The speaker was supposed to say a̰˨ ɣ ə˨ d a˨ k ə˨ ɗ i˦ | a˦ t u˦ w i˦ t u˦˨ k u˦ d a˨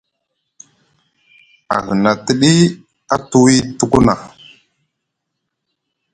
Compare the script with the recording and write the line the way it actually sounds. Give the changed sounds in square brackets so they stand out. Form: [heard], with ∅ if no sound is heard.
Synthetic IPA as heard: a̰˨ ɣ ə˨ [n] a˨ [t] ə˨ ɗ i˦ | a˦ t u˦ w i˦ t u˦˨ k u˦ [n] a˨